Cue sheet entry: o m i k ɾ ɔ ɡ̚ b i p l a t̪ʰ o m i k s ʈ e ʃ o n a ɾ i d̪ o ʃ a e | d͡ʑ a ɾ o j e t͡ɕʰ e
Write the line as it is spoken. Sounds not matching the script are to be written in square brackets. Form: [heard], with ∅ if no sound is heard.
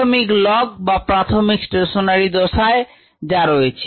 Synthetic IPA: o m i k [l] ɔ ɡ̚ b [a] p [ɾ] a t̪ʰ o m i k s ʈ e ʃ o n a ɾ i d̪ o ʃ a e | d͡ʑ a ɾ o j e t͡ɕʰ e

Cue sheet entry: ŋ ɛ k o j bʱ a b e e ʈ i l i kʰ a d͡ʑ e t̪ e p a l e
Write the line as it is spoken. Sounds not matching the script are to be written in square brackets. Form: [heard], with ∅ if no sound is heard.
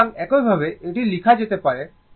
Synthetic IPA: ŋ ɛ k o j bʱ a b e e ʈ i l i kʰ a d͡ʑ e t̪ e p a [ɾ] e

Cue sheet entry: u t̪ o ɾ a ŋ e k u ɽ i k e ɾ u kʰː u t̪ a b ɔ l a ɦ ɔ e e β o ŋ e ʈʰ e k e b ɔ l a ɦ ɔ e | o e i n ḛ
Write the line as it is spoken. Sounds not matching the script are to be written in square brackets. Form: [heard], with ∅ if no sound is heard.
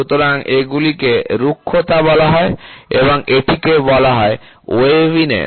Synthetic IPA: u t̪ o ɾ a ŋ e [ɡ] u [l] i k e ɾ u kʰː [o] t̪ a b ɔ l a ɦ ɔ e e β o ŋ e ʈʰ [i] k e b ɔ l a ɦ ɔ e | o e i n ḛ

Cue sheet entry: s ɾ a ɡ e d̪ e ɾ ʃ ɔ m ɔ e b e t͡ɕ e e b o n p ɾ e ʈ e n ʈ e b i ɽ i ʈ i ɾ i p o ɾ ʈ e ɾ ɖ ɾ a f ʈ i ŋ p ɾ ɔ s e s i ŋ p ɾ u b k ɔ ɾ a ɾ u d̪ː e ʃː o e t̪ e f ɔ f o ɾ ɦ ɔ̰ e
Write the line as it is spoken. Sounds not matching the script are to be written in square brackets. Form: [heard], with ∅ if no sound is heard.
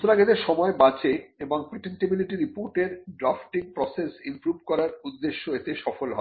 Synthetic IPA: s ɾ a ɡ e d̪ e ɾ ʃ ɔ m ɔ e b [a] t͡ɕ e e b o [ŋ] p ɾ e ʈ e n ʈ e b i [l] i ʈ i ɾ i p o ɾ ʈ e ɾ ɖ ɾ a f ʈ i ŋ p ɾ ɔ s e s i [m] p ɾ u b k ɔ ɾ a ɾ u d̪ː e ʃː o e t̪ e [ʃ] ɔ f o [l] ɦ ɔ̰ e

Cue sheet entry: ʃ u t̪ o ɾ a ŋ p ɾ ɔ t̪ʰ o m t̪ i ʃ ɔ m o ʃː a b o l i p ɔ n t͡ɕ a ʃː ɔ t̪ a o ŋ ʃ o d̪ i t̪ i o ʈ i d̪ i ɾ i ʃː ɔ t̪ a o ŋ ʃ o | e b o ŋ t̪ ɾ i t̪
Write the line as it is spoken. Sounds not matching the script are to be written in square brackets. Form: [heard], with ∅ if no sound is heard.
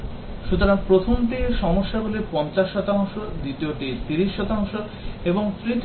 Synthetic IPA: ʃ u t̪ o ɾ a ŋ p ɾ [o] t̪ʰ o m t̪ i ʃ ɔ m o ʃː a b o l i p ɔ n t͡ɕ a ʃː ɔ t̪ a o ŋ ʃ o d̪ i t̪ i o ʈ i [t̪] i ɾ i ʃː ɔ t̪ a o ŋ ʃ o | e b o ŋ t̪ ɾ i t̪

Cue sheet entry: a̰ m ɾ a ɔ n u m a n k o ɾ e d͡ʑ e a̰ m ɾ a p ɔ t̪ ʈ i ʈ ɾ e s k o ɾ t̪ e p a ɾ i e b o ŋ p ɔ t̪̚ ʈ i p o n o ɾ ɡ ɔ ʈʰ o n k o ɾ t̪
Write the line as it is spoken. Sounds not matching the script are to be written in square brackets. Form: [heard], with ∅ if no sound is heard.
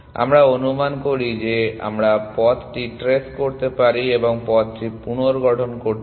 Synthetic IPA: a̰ m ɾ a [o] n u m a n k o ɾ [i] d͡ʑ e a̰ m ɾ a p ɔ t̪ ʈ i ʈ ɾ e s k o ɾ t̪ e p a ɾ i e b o ŋ p ɔ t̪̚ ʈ i p [u] n o ɾ ɡ ɔ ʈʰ o n k o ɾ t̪

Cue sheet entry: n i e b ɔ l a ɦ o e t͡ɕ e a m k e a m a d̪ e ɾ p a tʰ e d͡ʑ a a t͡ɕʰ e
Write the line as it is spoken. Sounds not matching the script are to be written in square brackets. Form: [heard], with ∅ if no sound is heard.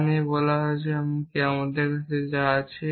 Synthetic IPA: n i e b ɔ l a ɦ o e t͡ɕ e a m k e a m a d̪ e ɾ [k] a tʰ e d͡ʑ a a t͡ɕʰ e

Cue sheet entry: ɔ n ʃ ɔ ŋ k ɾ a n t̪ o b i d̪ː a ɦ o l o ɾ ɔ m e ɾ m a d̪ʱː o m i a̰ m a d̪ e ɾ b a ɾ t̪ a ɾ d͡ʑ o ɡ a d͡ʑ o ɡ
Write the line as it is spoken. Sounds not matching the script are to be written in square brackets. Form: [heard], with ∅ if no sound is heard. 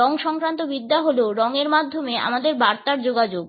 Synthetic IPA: ɔ [ŋ] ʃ ɔ ŋ k ɾ a n t̪ o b i d̪ː a ɦ o l o ɾ ɔ [ŋ] e ɾ m a d̪ʱː o m [e] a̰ m a d̪ e ɾ b a ɾ t̪ a ɾ d͡ʑ o ɡ a d͡ʑ o ɡ

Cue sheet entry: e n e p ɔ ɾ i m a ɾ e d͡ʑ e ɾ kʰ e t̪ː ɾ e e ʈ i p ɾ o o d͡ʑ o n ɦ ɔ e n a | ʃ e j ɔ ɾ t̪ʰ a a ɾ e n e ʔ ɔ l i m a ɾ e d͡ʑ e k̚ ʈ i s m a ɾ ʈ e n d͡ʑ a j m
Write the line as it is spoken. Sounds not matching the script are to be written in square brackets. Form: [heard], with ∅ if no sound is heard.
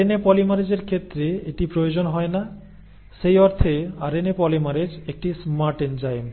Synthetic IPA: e n e p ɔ [l] i m a ɾ e d͡ʑ e ɾ kʰ e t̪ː ɾ e e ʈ i p ɾ o o d͡ʑ o n ɦ ɔ e n a | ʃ e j ɔ ɾ t̪ʰ [e] a ɾ e n e [p] ɔ l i m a ɾ e d͡ʑ e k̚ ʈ i s m a ɾ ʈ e n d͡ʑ a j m

